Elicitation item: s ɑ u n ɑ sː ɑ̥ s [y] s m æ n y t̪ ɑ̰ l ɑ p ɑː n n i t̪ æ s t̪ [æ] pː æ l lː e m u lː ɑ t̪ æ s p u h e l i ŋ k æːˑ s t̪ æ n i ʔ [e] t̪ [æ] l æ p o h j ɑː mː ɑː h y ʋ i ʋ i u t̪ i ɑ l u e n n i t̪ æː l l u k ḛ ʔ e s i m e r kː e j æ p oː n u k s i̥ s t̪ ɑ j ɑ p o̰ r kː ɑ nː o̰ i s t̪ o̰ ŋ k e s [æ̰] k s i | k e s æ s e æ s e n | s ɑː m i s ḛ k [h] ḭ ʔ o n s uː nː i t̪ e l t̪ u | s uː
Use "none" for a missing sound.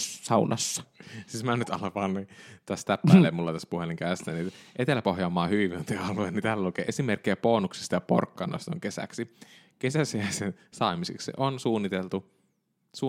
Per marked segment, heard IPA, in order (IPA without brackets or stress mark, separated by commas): i, æ, e, e, æ̰, s